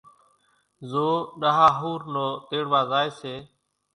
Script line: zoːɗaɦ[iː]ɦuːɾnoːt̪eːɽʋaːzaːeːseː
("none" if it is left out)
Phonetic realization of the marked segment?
aː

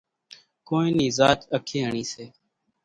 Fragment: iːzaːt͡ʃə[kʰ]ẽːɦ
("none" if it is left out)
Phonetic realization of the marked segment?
kʰ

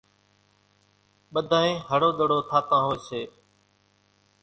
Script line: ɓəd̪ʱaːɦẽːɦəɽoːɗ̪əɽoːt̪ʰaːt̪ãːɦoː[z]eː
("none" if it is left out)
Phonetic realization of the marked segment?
s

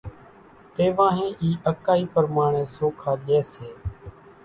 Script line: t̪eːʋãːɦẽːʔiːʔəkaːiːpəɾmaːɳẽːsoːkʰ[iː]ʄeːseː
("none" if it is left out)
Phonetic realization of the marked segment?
aː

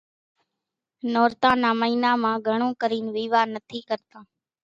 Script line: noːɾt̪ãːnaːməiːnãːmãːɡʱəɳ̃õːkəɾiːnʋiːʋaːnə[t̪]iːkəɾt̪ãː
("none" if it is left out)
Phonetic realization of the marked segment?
t̪ʰ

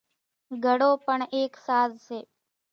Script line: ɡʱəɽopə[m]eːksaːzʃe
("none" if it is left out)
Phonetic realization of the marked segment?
ɳ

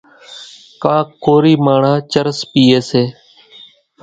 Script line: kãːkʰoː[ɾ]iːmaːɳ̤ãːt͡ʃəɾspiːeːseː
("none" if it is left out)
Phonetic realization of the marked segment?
ɾ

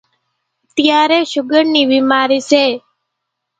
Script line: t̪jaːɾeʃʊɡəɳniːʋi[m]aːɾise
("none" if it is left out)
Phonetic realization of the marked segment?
m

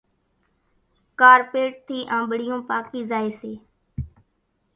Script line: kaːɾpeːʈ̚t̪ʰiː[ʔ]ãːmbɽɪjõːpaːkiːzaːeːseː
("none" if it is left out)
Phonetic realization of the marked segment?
ʔ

